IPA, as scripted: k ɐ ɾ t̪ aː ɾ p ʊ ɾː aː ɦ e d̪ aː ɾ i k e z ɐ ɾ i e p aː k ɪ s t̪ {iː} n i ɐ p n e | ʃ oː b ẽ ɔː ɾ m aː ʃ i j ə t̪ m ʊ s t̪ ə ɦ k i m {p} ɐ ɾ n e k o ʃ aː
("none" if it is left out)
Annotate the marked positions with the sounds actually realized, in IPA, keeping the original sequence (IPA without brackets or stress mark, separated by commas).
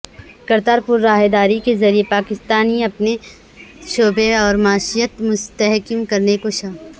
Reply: aː, k